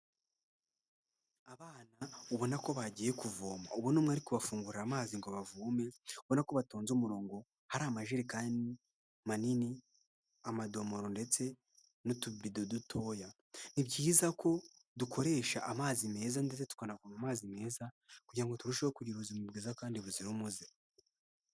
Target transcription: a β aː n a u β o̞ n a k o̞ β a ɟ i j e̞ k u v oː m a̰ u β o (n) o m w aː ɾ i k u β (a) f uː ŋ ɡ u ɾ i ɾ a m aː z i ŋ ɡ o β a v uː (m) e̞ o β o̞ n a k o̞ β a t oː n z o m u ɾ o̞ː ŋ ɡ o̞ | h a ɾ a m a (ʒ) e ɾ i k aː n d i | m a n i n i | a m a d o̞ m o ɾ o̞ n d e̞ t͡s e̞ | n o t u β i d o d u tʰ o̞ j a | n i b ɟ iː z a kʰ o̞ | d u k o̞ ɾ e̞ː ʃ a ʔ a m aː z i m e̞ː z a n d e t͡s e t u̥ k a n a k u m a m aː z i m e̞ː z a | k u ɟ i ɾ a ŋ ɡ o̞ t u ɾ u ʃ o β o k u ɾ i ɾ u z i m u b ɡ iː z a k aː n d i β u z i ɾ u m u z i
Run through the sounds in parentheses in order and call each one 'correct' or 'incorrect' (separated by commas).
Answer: correct, correct, correct, correct